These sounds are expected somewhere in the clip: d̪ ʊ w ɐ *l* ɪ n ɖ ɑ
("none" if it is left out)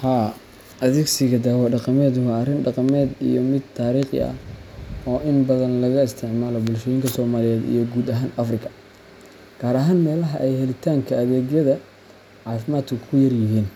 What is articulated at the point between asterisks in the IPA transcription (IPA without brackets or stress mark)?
r